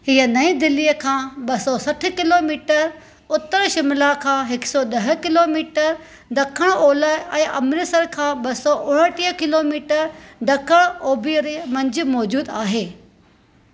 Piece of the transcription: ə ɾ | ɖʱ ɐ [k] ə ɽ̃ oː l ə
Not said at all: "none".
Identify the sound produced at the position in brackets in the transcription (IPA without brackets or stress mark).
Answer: kʰ